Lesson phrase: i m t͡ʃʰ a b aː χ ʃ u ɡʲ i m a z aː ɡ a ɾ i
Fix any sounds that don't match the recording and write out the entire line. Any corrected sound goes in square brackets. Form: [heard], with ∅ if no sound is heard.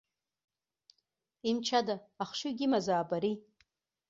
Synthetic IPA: i m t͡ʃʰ a [d] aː χ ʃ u ɡʲ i m a z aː [b] a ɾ i

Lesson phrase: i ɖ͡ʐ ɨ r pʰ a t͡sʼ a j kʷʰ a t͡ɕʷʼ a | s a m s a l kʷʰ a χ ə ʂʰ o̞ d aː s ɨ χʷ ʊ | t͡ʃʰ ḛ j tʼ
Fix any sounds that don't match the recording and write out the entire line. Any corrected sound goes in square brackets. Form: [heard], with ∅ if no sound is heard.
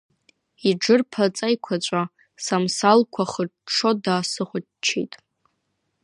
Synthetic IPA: i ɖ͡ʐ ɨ r pʰ a t͡sʼ a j kʷʰ a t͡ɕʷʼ a | s a m s a l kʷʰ a χ ə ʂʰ o̞ d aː s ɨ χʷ ʊ | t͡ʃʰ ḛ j tʼ

